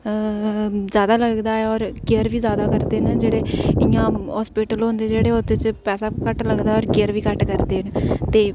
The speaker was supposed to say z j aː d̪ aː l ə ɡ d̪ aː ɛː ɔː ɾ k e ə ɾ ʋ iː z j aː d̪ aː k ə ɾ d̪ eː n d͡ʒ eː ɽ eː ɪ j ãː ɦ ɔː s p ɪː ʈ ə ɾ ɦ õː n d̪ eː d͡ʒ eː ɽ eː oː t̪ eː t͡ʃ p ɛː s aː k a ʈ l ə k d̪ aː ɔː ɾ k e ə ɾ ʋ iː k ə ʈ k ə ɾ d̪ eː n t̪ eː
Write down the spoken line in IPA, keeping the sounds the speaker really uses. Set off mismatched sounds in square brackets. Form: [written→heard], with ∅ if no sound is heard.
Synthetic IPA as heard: z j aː d̪ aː l ə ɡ d̪ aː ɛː ɔː ɾ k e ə ɾ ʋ iː z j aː d̪ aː k ə ɾ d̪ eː n d͡ʒ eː ɽ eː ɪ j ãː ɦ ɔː s p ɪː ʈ ə [ɾ→l] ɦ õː n d̪ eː d͡ʒ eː ɽ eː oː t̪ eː t͡ʃ p ɛː s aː k [a→ə] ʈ l ə [k→ɡ] d̪ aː ɔː ɾ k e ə ɾ ʋ iː k ə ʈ k ə ɾ d̪ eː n t̪ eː

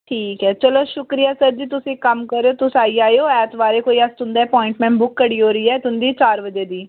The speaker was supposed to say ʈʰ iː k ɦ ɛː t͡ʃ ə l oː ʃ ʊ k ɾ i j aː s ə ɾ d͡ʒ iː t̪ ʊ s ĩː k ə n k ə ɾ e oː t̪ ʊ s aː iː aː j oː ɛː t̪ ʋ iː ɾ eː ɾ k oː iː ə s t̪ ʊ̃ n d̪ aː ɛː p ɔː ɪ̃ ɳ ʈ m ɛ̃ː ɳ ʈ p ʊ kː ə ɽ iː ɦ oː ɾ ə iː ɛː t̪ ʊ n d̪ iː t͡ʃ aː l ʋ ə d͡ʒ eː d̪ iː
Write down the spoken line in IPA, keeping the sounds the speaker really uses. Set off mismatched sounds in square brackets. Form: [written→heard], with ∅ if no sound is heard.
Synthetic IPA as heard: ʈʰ iː k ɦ ɛː t͡ʃ ə l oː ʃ ʊ k ɾ i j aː s ə ɾ d͡ʒ iː t̪ ʊ s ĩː k ə [n→m] k ə ɾ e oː t̪ ʊ s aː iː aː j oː ɛː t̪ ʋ [iː→aː] ɾ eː [ɾ→∅] k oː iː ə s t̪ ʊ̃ n d̪ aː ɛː p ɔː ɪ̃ ɳ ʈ m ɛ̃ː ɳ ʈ [p→b] ʊ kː ə ɽ iː ɦ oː ɾ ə iː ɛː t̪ ʊ n d̪ iː t͡ʃ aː [l→ɾ] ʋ ə d͡ʒ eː d̪ iː

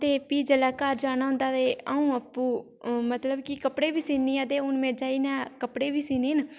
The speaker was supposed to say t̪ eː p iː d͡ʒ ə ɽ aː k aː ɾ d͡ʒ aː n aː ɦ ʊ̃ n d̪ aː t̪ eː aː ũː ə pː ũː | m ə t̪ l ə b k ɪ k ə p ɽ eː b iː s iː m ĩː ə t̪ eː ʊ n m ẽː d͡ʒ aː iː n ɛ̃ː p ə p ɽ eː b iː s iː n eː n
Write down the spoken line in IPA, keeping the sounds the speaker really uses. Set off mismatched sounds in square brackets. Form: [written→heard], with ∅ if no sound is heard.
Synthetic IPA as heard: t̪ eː p iː d͡ʒ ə [ɽ→l] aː k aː ɾ d͡ʒ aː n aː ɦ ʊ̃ n d̪ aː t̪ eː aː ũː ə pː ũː | m ə t̪ l ə b k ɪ k ə p ɽ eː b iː s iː [m→n] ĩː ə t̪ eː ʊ n m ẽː d͡ʒ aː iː n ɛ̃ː [p→k] ə p ɽ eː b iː s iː n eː n

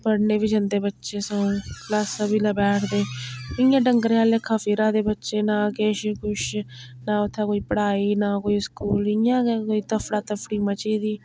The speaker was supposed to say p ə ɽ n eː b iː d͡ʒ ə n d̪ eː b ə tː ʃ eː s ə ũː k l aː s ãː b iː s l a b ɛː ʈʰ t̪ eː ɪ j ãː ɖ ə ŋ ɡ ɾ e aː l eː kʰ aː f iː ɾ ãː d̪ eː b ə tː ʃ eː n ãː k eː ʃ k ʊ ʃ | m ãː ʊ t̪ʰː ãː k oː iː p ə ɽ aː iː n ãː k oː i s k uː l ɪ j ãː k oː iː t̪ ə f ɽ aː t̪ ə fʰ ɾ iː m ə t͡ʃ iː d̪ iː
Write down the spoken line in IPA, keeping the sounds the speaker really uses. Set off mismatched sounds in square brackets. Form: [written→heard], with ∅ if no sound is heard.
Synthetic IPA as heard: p ə ɽ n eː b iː d͡ʒ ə n d̪ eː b ə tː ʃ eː s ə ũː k l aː s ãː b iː [s→∅] l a b ɛː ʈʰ [t̪→d̪] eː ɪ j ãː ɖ ə ŋ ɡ ɾ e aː l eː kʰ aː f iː ɾ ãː d̪ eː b ə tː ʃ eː n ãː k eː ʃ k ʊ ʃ | [m→n] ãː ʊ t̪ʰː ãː k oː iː p ə ɽ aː iː n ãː k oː i s k uː l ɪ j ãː k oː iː t̪ ə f ɽ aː t̪ ə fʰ [ɾ→ɽ] iː m ə t͡ʃ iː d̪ iː

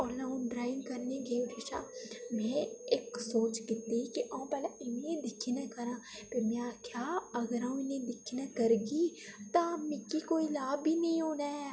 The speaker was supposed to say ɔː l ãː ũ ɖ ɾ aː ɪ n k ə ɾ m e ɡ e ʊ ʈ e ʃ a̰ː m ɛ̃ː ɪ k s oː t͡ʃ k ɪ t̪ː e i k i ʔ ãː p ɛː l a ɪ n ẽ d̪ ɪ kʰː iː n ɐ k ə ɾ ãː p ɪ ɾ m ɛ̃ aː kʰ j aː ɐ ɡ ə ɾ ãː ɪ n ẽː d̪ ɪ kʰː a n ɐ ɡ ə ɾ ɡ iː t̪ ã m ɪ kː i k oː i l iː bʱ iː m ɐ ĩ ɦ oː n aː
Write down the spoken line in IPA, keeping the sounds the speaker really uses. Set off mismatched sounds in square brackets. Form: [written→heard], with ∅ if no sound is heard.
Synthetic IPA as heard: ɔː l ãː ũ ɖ ɾ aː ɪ n k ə ɾ [m→n] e ɡ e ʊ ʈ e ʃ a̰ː m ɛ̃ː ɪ k s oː t͡ʃ k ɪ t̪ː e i k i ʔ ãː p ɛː l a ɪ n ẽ d̪ ɪ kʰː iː n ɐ k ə ɾ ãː p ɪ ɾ m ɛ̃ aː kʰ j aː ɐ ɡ ə ɾ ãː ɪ n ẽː d̪ ɪ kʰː [a→i] n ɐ [ɡ→k] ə ɾ ɡ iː t̪ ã m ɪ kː i k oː i l [iː→aː] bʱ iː [m→n] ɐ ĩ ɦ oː n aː

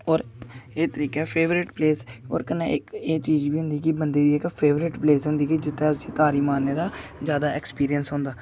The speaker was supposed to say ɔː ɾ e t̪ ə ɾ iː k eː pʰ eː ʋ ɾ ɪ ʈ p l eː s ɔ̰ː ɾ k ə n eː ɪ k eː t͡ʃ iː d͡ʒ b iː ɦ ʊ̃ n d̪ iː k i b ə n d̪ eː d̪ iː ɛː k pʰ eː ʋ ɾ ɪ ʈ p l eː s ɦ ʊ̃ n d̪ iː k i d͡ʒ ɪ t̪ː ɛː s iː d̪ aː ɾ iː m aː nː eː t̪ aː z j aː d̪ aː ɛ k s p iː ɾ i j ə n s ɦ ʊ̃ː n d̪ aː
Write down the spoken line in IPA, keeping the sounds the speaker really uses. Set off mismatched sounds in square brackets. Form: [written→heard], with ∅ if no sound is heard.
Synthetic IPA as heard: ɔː ɾ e t̪ ə ɾ iː k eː pʰ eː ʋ ɾ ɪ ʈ p l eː s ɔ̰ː ɾ k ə n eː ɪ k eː t͡ʃ iː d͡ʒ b iː ɦ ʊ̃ n d̪ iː k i b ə n d̪ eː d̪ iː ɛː k pʰ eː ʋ ɾ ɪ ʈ p l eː s ɦ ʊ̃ n d̪ iː k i d͡ʒ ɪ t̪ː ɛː s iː [d̪→t̪] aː ɾ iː m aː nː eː [t̪→d̪] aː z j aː d̪ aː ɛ k s p iː ɾ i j ə n s ɦ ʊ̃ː n d̪ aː

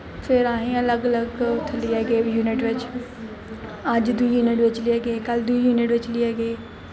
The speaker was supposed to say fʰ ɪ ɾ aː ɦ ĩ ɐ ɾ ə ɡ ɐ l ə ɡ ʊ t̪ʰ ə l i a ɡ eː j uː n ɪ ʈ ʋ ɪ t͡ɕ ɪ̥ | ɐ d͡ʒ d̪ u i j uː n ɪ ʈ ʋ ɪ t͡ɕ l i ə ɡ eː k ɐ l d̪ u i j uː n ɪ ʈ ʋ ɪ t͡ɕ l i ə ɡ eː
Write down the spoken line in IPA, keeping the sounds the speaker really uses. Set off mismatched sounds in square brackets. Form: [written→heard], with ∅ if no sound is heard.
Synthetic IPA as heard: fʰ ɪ ɾ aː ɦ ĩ ɐ [ɾ→l] ə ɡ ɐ l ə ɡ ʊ t̪ʰ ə l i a ɡ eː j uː n ɪ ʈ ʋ ɪ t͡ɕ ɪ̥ | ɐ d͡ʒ d̪ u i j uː n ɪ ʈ ʋ ɪ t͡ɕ l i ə ɡ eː k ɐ l d̪ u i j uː n ɪ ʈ ʋ ɪ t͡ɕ l i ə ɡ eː

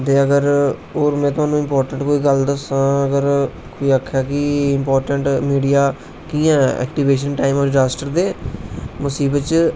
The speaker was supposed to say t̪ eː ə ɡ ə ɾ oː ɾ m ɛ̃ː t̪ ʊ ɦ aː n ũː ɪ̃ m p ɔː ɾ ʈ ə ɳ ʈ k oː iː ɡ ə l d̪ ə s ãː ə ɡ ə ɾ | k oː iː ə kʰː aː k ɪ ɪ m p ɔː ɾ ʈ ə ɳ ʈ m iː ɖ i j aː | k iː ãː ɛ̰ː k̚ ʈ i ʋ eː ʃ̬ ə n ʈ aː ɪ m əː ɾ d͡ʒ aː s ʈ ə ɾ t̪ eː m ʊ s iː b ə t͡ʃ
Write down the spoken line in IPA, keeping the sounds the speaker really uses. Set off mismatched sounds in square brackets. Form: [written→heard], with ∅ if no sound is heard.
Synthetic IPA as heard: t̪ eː ə ɡ ə ɾ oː ɾ m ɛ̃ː t̪ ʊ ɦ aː n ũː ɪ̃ m p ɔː ɾ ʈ ə ɳ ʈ k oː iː ɡ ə l d̪ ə s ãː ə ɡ ə ɾ | k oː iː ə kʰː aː k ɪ ɪ m p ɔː ɾ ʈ ə ɳ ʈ m iː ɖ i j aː | k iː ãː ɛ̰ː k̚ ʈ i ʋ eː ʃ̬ ə n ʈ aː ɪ m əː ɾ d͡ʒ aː s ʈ ə ɾ [t̪→d̪] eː m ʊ s iː b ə t͡ʃ

